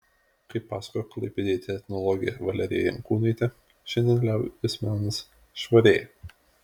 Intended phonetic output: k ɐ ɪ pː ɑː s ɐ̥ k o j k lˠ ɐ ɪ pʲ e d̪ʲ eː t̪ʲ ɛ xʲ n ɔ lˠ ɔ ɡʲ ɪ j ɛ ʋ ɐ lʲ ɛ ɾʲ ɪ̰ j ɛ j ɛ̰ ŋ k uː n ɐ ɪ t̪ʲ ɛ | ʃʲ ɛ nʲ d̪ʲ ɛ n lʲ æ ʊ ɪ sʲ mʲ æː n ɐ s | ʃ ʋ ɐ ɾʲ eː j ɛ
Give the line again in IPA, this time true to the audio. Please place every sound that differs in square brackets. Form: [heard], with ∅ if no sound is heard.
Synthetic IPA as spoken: k ɐ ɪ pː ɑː s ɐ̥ k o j k lˠ ɐ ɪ pʲ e d̪ʲ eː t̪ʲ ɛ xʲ n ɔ lˠ ɔ ɡʲ ɪ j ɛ ʋ ɐ lʲ ɛ ɾʲ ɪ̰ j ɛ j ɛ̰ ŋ k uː n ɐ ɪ t̪ʲ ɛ | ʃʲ ɛ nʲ d̪ʲ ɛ n lʲ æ ʊ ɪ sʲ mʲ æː n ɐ s | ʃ ʋ ɐ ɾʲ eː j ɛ